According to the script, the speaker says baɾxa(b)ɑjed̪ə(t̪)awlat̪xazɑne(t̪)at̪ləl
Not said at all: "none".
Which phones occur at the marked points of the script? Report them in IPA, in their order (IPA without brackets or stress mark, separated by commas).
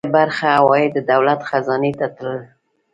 w, d̪, t̪